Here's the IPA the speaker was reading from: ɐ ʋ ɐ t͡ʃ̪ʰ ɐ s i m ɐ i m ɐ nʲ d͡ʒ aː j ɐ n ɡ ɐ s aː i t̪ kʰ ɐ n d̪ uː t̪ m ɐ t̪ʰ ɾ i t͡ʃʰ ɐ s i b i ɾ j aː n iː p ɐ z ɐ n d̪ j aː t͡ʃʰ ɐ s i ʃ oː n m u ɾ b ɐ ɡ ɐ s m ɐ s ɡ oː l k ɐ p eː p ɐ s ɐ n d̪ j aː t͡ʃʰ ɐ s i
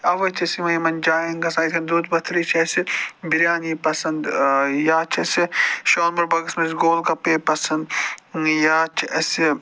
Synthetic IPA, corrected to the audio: ɐ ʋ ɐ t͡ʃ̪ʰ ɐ s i m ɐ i m ɐ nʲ d͡ʒ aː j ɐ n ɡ ɐ s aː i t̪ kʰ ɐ n d̪ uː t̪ b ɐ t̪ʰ ɾ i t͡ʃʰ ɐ s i b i ɾ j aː n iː p ɐ s ɐ n d̪ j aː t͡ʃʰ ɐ s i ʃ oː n m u ɾ b ɐ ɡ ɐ s m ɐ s ɡ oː l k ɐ p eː p ɐ s ɐ n d̪ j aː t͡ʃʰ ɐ s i